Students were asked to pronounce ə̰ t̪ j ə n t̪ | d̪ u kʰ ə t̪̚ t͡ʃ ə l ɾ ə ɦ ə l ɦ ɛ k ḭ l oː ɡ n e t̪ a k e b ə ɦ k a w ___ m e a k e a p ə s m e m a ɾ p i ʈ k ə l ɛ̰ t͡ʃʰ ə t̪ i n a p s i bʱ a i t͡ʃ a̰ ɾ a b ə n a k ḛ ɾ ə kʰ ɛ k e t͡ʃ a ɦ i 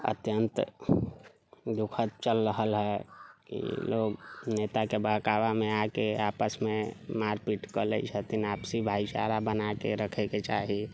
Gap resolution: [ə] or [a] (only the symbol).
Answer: a